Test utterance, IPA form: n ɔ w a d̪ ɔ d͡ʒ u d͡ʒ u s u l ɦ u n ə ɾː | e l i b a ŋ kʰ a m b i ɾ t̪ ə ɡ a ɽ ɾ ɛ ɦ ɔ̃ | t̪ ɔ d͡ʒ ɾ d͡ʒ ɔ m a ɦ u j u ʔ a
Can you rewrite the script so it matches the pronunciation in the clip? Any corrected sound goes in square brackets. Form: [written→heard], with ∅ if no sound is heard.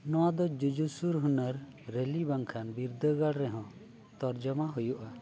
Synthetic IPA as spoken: n ɔ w a d̪ ɔ d͡ʒ u d͡ʒ u s u [l→ɾ] ɦ u n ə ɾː | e l i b a ŋ kʰ a [m→n] b i ɾ [t̪→d̪] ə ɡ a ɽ ɾ ɛ ɦ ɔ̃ | t̪ ɔ [d͡ʒ→∅] ɾ d͡ʒ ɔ m a ɦ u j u ʔ a